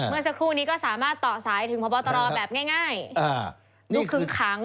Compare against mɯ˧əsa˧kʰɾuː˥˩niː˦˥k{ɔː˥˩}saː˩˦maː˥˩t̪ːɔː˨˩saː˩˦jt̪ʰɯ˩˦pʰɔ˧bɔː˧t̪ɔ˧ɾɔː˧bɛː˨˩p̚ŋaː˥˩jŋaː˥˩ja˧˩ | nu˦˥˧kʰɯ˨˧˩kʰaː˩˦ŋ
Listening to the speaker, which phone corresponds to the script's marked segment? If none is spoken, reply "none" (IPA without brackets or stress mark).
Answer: ɔː˥˩